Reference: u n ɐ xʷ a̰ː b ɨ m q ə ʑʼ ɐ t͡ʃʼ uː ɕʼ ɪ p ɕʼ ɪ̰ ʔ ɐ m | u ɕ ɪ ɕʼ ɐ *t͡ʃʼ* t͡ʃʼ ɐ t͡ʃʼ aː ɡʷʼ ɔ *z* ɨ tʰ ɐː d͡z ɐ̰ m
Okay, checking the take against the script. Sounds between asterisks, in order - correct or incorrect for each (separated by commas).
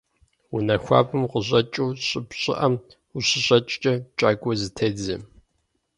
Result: correct, correct